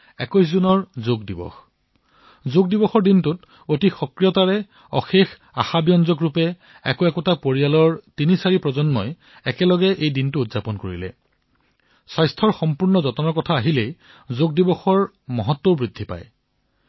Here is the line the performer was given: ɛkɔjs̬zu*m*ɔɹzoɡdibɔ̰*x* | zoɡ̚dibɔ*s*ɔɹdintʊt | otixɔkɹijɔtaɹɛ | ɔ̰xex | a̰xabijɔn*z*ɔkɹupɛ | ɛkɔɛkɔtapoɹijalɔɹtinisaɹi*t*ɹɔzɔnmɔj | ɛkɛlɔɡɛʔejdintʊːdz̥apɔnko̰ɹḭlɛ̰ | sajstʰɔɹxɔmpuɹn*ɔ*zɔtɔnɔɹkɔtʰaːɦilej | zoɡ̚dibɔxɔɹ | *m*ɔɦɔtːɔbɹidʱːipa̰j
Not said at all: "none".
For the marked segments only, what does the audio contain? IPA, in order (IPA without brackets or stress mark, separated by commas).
n, x, x, z, p, ɔ, m